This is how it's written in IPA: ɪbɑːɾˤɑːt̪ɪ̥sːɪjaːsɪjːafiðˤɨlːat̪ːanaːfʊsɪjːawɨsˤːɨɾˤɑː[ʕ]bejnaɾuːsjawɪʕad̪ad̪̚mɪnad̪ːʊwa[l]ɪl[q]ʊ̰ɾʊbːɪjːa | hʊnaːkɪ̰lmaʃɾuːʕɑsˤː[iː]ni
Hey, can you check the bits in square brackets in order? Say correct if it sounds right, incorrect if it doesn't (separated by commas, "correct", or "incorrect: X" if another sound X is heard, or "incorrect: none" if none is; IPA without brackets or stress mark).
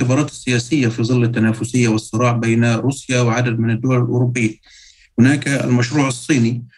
correct, correct, incorrect: ʔ, correct